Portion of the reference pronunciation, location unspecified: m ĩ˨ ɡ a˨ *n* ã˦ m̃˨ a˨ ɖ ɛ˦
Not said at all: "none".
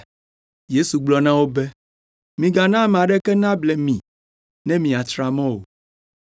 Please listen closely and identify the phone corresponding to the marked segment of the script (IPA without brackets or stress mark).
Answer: n